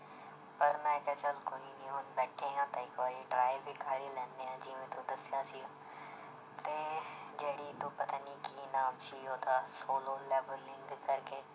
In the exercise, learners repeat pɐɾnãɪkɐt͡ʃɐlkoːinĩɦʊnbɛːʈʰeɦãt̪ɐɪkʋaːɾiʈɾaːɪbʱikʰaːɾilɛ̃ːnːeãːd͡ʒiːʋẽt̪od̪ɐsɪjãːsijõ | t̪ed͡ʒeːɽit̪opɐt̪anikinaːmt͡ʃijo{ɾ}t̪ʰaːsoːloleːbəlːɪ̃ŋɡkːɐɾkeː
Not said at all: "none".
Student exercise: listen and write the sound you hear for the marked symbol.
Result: none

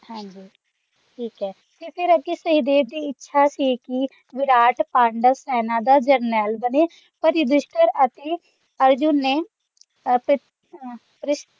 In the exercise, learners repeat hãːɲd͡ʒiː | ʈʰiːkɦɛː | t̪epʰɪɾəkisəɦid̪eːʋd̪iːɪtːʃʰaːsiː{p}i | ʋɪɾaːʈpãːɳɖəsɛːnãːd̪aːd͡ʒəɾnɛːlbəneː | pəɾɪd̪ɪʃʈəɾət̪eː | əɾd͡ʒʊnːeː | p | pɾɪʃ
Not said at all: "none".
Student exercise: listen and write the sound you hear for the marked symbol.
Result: k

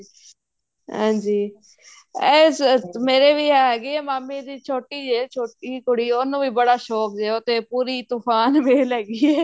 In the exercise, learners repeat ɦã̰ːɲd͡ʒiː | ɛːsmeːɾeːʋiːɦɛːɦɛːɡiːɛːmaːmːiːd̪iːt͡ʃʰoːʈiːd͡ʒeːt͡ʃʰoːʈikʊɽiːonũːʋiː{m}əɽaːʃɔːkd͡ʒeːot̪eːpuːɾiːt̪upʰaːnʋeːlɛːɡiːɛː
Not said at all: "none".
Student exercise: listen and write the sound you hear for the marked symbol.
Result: b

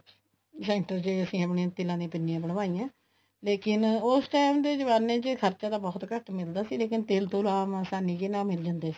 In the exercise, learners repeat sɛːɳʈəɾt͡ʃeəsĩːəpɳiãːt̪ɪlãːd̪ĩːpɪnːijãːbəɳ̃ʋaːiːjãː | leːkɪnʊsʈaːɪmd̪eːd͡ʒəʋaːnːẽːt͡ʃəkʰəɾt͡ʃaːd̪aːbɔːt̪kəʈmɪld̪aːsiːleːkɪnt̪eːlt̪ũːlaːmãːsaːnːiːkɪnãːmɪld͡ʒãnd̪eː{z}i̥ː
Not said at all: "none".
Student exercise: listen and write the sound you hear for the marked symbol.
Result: s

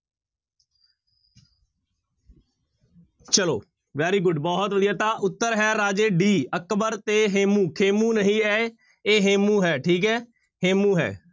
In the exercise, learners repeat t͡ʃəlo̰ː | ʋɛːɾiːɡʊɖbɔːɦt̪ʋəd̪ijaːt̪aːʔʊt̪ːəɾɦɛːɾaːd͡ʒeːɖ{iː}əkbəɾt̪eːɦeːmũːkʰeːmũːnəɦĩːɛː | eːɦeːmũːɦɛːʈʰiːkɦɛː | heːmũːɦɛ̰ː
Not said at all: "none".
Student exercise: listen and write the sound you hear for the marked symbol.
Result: iː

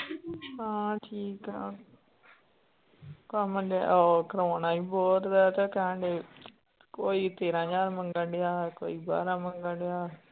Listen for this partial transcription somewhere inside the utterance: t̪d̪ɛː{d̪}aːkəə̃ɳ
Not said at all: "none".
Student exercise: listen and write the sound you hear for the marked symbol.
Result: t̪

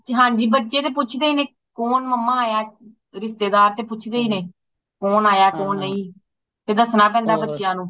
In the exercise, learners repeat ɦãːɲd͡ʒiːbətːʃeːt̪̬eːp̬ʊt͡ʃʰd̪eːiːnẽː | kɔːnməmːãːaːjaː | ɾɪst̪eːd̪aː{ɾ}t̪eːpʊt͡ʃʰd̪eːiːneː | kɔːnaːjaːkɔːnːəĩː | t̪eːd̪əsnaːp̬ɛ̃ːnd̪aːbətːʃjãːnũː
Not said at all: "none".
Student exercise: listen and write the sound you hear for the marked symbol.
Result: ɾ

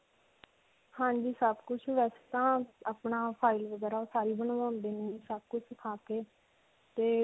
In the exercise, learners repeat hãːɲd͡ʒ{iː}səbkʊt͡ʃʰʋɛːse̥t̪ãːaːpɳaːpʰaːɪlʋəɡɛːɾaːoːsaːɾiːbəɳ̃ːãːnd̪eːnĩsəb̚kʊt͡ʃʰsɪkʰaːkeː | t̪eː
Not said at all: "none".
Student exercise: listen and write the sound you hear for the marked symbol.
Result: iː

